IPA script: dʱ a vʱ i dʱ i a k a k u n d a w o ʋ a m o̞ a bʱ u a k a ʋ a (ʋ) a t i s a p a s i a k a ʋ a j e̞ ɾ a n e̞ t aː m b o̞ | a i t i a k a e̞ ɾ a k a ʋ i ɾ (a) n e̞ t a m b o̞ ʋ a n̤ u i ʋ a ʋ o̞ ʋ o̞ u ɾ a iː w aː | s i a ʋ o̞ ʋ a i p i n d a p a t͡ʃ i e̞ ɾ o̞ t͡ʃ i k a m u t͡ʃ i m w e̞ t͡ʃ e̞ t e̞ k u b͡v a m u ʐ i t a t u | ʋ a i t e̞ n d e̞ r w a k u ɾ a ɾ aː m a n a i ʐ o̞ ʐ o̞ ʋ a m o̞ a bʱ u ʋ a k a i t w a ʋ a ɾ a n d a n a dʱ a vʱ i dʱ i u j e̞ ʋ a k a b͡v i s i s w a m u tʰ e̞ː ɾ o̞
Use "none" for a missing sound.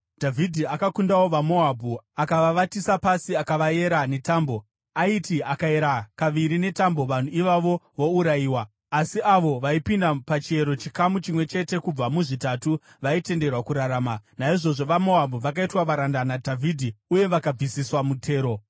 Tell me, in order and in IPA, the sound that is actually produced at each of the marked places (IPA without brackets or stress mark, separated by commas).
ʋ, i